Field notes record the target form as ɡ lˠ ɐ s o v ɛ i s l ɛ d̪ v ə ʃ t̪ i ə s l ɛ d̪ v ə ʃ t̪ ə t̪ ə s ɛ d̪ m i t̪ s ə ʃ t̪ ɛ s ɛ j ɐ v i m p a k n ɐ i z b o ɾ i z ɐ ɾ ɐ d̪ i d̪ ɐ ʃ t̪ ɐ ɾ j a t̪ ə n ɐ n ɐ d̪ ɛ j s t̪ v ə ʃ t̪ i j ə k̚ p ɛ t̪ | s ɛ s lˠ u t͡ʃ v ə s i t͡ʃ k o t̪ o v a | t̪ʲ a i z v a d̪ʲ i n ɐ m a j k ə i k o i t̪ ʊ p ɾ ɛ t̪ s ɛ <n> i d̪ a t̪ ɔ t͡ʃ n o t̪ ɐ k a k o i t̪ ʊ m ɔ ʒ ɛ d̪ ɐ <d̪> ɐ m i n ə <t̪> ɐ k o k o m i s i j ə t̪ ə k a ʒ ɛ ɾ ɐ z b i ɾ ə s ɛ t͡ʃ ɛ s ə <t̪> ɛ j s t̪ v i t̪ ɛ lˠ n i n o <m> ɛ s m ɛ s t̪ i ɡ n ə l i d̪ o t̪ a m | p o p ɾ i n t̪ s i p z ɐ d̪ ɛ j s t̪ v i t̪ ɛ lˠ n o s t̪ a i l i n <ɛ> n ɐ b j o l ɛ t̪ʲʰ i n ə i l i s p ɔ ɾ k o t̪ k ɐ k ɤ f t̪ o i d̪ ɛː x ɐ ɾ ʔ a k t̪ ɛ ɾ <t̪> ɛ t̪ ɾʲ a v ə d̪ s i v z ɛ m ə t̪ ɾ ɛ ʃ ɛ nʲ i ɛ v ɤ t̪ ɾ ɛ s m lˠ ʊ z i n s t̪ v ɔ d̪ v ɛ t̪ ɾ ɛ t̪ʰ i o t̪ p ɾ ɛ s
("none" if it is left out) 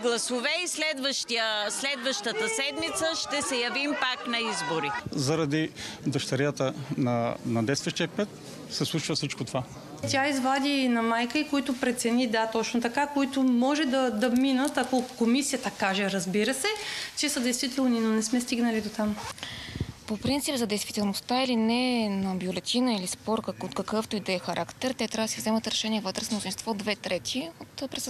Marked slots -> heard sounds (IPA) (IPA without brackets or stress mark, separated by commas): n, d̪, t̪, d̪, n, ɛ, t̪